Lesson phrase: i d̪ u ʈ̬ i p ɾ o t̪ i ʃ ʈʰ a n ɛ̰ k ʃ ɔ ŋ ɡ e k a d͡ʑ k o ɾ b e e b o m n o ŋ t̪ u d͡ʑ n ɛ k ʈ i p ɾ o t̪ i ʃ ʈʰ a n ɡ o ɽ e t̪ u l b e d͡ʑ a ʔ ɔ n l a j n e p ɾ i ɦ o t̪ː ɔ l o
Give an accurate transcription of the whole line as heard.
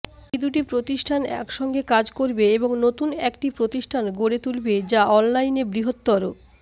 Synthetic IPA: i d̪ u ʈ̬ i p ɾ o t̪ i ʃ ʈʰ a n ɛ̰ k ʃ ɔ ŋ ɡ e k a d͡ʑ k o ɾ b e e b o ŋ n o t̪ u n ɛ k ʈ i p ɾ o t̪ i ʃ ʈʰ a n ɡ o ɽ e t̪ u l b e d͡ʑ a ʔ ɔ n l a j n e b ɾ i ɦ o t̪ː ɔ ɾ o